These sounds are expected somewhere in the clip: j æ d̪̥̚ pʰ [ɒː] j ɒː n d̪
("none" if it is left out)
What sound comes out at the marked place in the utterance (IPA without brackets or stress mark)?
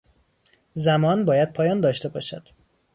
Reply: ɒː